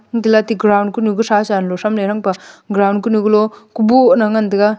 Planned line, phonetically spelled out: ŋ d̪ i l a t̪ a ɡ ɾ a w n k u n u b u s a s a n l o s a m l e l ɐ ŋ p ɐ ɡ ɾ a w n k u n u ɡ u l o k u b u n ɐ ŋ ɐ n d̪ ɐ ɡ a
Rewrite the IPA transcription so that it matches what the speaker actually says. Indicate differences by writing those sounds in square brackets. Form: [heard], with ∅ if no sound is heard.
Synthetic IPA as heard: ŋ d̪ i l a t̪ [i] ɡ ɾ a w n k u n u [ɡ] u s a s a n l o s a m l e [ɾ] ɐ ŋ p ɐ ɡ ɾ a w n k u n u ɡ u l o k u b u n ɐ ŋ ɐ n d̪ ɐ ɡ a